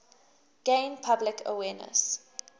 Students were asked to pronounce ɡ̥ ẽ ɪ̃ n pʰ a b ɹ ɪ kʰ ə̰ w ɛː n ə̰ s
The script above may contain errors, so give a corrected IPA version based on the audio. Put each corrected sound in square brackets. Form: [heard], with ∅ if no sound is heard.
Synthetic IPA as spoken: ɡ̥ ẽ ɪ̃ n pʰ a b [l] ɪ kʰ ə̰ w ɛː n ə̰ s